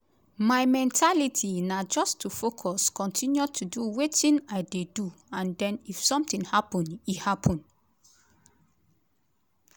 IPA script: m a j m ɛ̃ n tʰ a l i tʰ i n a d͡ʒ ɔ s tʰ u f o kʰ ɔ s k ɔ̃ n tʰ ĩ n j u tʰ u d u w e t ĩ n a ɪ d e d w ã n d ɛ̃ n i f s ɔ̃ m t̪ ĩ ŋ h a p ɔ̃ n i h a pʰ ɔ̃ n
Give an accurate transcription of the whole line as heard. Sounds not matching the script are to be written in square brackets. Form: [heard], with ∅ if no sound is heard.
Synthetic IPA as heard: m a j m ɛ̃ n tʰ a l i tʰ i n a d͡ʒ ɔ s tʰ u f o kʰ ɔ s k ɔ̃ n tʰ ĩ n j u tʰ u d u w e t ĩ n a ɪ d e d [u] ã n d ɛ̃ n i f s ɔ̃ m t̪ ĩ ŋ h a p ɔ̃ n i h a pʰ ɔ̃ n